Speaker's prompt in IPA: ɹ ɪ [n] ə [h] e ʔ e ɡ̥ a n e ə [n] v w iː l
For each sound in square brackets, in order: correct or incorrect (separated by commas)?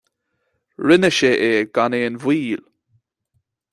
correct, incorrect, correct